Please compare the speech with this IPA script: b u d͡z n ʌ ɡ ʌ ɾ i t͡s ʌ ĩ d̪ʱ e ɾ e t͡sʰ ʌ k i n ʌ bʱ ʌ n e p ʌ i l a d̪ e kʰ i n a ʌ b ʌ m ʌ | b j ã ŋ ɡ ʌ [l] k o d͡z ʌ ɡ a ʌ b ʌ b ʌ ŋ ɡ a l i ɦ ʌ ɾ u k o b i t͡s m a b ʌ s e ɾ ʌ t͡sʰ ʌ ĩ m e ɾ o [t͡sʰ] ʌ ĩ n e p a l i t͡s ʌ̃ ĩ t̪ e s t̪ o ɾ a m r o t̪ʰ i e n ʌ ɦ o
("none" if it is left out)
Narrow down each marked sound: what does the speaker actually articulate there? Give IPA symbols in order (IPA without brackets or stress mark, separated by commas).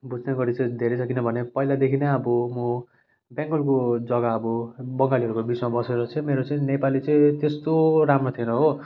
l, t͡s